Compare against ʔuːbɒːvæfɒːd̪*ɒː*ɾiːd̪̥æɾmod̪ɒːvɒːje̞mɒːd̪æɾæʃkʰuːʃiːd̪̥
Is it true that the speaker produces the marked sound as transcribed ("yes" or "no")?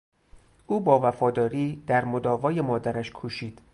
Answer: yes